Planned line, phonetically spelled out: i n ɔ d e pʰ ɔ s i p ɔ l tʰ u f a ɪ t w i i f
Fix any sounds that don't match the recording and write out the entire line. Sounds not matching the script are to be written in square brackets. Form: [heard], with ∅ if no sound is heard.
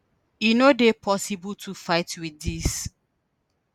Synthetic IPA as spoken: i n [o] d e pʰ ɔ s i [b] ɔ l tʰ u f a ɪ t w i i [s]

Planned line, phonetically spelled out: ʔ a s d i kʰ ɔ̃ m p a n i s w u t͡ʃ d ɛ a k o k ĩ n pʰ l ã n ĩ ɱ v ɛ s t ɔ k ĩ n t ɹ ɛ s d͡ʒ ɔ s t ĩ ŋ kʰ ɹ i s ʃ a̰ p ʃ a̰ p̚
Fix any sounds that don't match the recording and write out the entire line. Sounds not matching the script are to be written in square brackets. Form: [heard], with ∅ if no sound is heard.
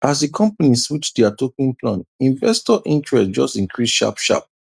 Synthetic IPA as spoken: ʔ a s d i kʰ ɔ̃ m p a n i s w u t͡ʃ d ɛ a [t] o k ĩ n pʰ l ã n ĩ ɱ v ɛ s t ɔ [ʔ] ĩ n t ɹ ɛ s d͡ʒ ɔ s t ĩ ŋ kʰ ɹ i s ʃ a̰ p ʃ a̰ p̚

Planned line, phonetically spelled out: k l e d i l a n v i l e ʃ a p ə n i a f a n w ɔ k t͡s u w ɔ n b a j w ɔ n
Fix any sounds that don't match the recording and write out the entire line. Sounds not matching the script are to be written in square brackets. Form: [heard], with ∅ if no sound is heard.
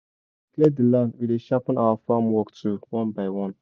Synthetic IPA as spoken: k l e d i l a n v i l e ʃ a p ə n [a] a f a [m] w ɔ k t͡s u w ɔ n b a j w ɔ n

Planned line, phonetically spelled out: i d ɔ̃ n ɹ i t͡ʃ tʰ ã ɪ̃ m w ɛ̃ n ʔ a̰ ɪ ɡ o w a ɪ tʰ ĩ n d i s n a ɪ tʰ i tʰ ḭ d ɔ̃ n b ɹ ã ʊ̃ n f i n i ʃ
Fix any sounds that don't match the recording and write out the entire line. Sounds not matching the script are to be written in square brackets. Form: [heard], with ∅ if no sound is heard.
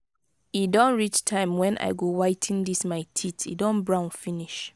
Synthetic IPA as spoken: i d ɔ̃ n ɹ i t͡ʃ tʰ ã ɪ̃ m w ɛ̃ n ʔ a̰ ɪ ɡ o w a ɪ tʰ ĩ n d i s [m] a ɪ tʰ i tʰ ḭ d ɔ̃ n b ɹ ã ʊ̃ n f i n i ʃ

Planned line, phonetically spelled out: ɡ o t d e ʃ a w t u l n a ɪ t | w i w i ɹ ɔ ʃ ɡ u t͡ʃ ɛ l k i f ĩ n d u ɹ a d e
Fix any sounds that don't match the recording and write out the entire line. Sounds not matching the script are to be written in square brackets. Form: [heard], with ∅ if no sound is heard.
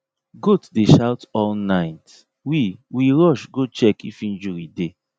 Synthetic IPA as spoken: ɡ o t d e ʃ a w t [ɔ] l n a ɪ t | w i w i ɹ ɔ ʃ ɡ [o] t͡ʃ ɛ [∅] k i f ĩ n [d͡ʒ] u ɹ [i] d e

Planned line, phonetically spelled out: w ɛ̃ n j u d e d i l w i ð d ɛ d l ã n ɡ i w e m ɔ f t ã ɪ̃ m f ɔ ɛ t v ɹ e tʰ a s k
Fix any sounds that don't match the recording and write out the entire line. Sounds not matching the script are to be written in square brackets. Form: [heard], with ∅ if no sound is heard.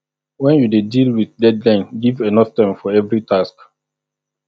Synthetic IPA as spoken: w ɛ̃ n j u d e d i l w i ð d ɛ d l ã n ɡ i [v] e [n] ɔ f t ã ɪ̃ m f ɔ ɛ [∅] v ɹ [i] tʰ a s k

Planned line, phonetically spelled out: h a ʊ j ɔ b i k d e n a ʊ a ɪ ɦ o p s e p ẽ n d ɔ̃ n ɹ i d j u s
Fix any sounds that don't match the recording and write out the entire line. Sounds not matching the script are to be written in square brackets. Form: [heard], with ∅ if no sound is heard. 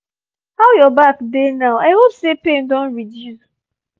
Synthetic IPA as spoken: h a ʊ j ɔ b [a] k d e n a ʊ a ɪ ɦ o p s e p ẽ n d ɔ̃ n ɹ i d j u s

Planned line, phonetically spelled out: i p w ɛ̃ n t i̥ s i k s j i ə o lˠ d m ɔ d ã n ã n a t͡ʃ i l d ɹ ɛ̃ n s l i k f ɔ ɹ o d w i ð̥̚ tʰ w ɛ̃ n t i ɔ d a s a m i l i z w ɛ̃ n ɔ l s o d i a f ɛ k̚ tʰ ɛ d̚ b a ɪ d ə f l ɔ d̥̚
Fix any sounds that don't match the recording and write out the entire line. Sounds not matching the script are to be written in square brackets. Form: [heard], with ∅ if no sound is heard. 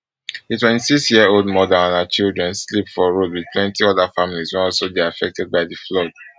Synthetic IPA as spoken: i [t] w ɛ̃ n t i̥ s i k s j i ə o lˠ d m ɔ d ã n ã n a t͡ʃ i l d ɹ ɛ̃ n s l i [p] f ɔ ɹ o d w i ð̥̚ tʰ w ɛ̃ n t i ɔ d a [f] a m i l i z w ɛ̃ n ɔ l s o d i a f ɛ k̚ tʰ ɛ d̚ b a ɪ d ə f l ɔ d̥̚

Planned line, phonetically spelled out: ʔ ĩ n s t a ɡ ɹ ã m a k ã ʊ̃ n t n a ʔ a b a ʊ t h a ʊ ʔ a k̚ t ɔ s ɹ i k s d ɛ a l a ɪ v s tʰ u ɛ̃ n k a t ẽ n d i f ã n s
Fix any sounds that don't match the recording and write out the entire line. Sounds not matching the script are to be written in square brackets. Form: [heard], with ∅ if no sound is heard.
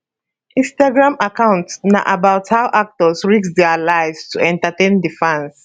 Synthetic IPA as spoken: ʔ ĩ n s t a ɡ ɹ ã m a k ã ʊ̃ n t n a ʔ a b a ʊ t h a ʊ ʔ a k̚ t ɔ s ɹ i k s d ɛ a l a ɪ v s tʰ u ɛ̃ n [t] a t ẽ n d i f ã n s

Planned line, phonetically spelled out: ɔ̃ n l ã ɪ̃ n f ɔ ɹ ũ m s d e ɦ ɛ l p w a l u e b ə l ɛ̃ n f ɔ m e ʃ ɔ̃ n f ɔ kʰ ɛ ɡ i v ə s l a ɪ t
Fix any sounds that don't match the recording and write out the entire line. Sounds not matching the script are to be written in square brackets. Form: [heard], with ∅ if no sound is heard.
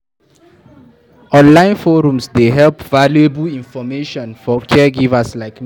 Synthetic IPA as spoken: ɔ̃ n l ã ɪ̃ n f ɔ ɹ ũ m s d e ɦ ɛ l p [v] a l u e b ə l [ĩ] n f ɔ m e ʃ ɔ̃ n f ɔ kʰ ɛ ɡ i v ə s l a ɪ [k]

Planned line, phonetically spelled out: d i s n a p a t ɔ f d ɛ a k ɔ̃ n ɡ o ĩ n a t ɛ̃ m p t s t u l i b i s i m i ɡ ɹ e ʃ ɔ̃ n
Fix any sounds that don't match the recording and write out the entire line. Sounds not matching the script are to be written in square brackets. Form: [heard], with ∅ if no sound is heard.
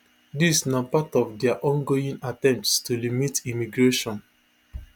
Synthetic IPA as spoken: d i s n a p a t ɔ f d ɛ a [ʔ] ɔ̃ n ɡ o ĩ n a t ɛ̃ m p t s t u l i [m] i [t] i m i ɡ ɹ e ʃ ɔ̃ n

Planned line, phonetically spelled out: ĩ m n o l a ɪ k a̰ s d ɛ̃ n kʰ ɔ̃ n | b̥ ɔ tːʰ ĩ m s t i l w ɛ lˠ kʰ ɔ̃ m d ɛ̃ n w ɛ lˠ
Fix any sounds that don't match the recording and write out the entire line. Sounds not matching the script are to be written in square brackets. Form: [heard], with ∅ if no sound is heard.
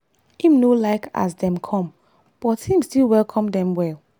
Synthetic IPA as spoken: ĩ m n o l a ɪ k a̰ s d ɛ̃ [m] kʰ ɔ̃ [m] | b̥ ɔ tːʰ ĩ m s t i l w ɛ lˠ kʰ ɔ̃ m d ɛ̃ [m] w ɛ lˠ

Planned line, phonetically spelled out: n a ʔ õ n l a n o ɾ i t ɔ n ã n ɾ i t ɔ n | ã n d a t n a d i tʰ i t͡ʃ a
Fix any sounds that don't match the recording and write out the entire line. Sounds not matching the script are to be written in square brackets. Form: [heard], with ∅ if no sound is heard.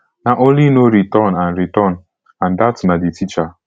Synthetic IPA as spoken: n a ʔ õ n l [i] n o ɾ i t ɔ n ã n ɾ i t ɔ n | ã n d a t n a d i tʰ i t͡ʃ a

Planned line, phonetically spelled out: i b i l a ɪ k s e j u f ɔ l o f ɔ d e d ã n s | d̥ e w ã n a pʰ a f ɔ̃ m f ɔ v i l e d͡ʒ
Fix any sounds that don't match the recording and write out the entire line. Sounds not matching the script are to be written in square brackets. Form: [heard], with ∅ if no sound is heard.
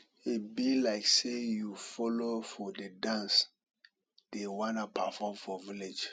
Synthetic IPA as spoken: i b i l a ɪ k s e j u f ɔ l o f ɔ d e d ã n s | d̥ e w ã n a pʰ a f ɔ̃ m f ɔ v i l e d͡ʒ

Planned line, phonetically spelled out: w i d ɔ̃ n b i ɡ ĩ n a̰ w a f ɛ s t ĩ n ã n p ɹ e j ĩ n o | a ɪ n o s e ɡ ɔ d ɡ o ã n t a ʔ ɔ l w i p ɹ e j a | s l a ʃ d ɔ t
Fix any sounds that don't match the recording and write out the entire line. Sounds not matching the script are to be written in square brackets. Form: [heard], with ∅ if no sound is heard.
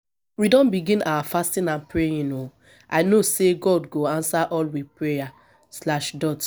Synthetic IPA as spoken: w i d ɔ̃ n b i ɡ ĩ n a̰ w a f [a] s t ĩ n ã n p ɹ e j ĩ n o | a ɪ n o s e ɡ ɔ d ɡ o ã n [s] a ʔ ɔ l w i p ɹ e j a | s l a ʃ d ɔ t

